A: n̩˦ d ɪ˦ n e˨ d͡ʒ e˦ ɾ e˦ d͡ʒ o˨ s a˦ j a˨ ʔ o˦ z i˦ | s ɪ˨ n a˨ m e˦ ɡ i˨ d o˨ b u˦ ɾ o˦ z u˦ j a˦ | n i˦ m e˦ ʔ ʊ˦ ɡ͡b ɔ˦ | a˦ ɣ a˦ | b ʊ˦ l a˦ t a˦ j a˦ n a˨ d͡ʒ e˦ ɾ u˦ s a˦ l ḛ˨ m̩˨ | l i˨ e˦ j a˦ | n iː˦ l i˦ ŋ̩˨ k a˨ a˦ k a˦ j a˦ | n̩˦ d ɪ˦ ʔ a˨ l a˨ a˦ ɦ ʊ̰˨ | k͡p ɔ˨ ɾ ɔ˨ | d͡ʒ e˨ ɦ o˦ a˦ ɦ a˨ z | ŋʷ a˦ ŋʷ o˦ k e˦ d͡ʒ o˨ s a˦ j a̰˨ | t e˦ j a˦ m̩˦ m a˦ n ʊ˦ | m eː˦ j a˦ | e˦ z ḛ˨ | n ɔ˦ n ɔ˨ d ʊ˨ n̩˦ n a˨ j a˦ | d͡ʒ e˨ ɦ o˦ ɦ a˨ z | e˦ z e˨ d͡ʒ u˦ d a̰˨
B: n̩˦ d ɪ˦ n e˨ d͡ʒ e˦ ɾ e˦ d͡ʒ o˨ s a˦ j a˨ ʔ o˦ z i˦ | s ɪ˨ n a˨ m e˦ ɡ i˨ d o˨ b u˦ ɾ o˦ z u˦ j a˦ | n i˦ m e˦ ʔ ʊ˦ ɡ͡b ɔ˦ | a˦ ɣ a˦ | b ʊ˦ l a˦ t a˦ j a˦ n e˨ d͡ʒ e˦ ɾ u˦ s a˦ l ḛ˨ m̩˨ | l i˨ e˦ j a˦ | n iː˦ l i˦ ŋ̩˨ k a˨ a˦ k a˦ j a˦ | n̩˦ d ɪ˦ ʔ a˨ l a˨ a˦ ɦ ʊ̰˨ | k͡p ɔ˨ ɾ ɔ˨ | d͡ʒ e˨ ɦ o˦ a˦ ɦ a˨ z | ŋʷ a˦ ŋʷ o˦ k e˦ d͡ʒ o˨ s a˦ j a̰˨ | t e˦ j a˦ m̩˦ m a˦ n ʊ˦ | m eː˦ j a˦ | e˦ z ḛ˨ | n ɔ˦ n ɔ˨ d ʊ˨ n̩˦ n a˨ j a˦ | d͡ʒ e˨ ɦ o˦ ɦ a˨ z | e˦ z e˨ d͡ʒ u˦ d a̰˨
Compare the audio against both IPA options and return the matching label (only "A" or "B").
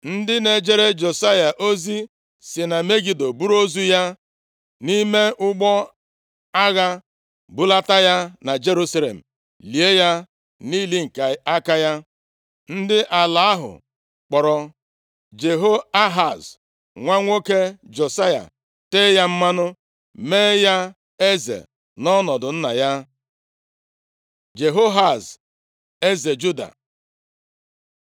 A